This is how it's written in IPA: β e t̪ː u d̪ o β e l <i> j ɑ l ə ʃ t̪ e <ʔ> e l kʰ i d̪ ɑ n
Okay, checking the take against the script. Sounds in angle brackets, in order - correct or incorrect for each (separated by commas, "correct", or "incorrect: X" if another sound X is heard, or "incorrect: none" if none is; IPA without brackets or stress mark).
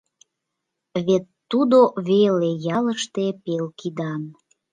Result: incorrect: e, incorrect: p